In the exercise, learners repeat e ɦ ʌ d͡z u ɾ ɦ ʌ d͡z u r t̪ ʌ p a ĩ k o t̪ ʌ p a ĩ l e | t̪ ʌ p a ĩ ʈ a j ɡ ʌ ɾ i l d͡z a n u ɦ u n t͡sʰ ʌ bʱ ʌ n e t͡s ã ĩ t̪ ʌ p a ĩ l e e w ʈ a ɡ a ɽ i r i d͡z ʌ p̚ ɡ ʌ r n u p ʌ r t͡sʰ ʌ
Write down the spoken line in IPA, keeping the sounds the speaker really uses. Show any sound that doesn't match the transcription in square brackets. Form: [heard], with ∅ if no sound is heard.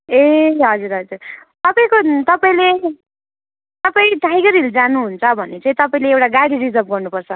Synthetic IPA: e ɦ ʌ d͡z u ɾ ɦ ʌ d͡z u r t̪ ʌ p a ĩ k o t̪ ʌ p a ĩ l e | t̪ ʌ p a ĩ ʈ a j ɡ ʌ ɾ i l d͡z a n u ɦ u n t͡sʰ ʌ bʱ ʌ n e t͡s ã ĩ t̪ ʌ p a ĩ l e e w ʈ a ɡ a ɽ i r i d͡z ʌ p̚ ɡ ʌ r n u p ʌ r t͡sʰ ʌ